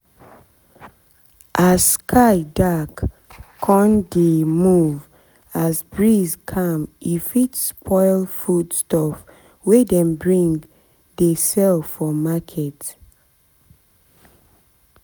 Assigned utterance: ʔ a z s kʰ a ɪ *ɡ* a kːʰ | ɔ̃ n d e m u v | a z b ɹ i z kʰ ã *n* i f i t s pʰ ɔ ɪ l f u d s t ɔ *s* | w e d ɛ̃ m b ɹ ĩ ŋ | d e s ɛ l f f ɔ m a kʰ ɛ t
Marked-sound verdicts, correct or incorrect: incorrect, incorrect, incorrect

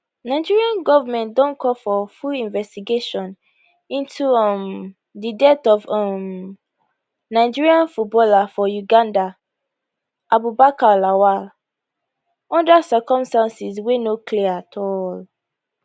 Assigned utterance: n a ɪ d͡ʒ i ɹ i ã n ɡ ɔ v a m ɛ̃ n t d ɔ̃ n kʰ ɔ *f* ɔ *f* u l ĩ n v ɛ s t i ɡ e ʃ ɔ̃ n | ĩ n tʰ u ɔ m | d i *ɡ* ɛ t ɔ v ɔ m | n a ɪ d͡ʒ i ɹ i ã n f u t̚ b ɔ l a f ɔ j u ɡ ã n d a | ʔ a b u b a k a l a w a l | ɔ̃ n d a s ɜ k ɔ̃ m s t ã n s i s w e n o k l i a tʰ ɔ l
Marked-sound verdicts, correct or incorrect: correct, correct, incorrect

